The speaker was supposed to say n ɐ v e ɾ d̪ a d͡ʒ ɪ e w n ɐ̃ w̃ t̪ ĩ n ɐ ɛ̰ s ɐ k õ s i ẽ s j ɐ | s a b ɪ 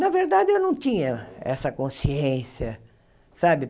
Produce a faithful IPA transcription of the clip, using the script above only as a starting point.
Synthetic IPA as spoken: n ɐ v e ɾ d̪ a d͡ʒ ɪ e w n ɐ̃ w̃ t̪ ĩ ɲ ɐ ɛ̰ s ɐ k õ s i ẽ s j ɐ | s a b ɪ